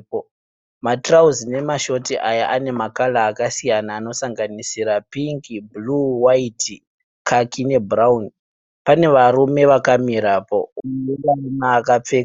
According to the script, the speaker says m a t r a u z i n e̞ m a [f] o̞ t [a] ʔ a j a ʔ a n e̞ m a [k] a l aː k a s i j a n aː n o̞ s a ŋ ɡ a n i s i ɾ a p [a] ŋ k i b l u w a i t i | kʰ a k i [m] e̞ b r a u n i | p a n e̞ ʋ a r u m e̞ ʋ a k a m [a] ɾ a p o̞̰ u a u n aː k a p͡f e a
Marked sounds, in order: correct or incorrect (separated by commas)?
incorrect, incorrect, correct, incorrect, incorrect, incorrect